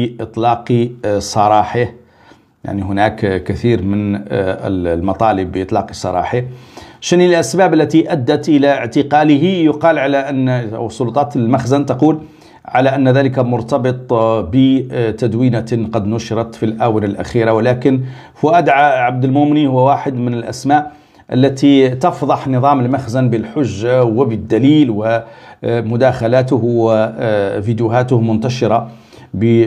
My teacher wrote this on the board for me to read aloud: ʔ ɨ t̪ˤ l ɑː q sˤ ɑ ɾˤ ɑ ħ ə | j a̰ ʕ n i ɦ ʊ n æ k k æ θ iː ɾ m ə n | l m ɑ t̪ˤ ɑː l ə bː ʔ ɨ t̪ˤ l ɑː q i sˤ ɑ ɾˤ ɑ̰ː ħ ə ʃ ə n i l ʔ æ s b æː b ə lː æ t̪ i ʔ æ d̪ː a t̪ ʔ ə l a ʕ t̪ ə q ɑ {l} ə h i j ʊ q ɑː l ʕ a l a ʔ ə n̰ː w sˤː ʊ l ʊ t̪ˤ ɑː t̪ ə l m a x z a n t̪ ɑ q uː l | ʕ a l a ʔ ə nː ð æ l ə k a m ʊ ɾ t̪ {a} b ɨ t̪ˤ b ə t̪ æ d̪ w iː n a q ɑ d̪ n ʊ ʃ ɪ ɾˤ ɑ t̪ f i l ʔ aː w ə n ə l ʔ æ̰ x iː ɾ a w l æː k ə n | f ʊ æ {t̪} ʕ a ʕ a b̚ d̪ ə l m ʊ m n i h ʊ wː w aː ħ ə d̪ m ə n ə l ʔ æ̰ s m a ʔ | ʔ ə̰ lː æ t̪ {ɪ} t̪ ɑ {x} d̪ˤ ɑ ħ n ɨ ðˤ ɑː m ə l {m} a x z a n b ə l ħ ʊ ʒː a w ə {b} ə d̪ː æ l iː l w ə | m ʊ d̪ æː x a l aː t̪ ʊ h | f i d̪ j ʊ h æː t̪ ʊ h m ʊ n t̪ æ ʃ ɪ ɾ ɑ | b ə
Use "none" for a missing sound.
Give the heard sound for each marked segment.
l, ɑ, d̪, i, f, m, b

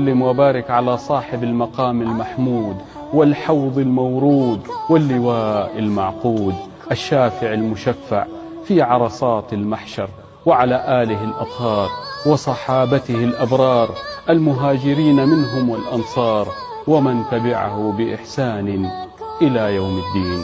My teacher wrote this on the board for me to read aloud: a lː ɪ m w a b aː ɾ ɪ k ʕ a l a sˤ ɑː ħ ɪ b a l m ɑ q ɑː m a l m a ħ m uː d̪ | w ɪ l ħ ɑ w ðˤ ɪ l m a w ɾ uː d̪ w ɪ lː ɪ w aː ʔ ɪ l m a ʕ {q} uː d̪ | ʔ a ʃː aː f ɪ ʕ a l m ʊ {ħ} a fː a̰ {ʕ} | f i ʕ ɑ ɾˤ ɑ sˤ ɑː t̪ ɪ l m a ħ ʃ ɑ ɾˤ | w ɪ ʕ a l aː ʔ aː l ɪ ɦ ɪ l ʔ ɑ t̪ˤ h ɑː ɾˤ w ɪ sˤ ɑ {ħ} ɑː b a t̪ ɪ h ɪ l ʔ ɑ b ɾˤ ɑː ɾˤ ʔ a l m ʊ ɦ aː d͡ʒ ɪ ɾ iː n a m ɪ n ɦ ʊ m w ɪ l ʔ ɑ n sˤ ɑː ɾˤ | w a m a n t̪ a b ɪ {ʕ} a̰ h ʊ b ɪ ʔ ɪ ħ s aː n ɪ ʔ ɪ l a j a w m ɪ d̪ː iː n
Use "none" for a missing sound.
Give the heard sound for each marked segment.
q, ʃ, ʕ, ħ, ʕ

